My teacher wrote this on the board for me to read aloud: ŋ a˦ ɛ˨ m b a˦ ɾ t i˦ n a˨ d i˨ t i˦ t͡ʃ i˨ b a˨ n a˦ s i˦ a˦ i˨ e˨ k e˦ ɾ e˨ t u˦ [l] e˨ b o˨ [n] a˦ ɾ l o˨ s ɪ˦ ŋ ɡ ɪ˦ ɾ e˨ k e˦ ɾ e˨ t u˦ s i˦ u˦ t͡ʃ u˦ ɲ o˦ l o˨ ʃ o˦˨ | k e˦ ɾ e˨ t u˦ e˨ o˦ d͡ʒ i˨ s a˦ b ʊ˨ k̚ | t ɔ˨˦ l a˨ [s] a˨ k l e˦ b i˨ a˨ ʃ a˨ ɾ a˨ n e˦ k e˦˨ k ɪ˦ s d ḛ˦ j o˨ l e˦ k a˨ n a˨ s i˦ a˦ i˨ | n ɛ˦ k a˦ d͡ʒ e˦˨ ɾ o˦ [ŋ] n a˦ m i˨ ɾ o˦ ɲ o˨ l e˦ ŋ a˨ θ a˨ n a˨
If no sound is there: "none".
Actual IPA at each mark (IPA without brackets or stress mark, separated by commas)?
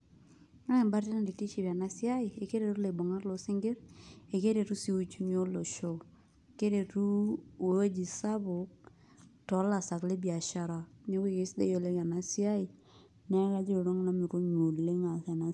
l, ŋ, s, ŋ